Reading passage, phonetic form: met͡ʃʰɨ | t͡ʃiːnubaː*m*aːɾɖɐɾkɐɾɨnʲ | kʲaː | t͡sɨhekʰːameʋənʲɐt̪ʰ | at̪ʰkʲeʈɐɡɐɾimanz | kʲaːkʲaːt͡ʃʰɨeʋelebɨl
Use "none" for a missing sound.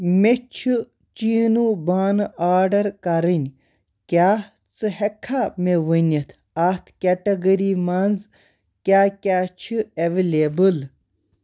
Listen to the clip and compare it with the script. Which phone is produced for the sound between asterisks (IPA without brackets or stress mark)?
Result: n